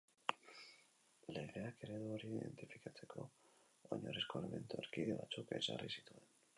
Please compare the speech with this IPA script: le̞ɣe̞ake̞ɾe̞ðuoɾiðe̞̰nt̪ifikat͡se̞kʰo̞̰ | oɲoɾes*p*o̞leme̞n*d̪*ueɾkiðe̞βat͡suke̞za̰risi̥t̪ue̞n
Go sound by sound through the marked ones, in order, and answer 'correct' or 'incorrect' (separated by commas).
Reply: incorrect, incorrect